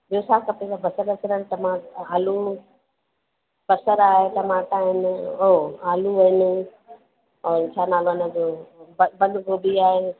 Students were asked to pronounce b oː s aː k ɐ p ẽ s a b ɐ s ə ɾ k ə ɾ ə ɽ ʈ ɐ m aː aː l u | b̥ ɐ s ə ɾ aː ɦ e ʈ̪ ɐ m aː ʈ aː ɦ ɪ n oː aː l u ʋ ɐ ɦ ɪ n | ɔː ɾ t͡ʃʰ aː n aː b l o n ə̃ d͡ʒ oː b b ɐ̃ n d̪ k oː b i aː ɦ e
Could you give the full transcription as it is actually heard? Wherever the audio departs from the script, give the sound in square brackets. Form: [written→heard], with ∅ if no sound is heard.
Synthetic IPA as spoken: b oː s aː k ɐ p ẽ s a b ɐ s ə ɾ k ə ɾ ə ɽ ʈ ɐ m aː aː l u | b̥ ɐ s ə ɾ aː ɦ e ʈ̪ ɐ m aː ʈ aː ɦ ɪ n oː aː l u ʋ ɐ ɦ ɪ n | ɔː ɾ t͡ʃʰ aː n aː [b→∅] l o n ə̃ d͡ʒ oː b b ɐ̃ n d̪ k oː b i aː ɦ e